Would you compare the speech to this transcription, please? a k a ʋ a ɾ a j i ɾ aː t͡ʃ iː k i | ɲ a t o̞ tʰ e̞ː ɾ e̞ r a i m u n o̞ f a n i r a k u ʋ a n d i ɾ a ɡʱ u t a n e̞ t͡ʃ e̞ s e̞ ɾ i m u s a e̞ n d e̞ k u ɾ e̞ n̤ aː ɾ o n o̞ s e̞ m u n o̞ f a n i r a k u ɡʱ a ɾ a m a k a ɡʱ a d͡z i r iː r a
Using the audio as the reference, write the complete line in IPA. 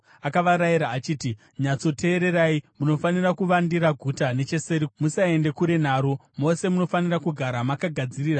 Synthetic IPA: a k a ʋ a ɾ a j i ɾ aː t͡ʃ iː t i | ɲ a t͡s o̞ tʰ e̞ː ɾ e̞ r a i m u n o̞ f a n i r a k u ʋ a n d i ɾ a ɡʱ u t a n e̞ t͡ʃ e̞ s e̞ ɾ i m u s a e̞ n d e̞ k u ɾ e̞ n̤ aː ɾ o m o̞ s e̞ m u n o̞ f a n i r a k u ɡʱ a ɾ a m a k a ɡʱ a d͡z i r iː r a